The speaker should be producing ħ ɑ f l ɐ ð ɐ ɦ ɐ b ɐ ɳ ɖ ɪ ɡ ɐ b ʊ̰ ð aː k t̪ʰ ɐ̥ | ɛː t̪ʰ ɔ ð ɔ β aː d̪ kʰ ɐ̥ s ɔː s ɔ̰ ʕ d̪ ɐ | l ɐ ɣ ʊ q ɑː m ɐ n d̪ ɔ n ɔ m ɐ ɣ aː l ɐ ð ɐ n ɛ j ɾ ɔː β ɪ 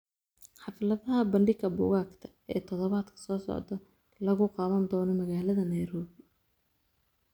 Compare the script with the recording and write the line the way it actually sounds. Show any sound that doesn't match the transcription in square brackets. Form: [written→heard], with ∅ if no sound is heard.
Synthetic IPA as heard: ħ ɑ f l ɐ ð ɐ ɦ ɐ b ɐ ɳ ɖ ɪ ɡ ɐ b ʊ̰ [ð→ɣ] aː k t̪ʰ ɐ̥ | ɛː t̪ʰ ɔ ð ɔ β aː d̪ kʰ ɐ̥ s ɔː s ɔ̰ ʕ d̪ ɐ | l ɐ ɣ ʊ q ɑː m ɐ n d̪ [ɔ→ɔː] n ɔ m ɐ ɣ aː l ɐ ð ɐ n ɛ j ɾ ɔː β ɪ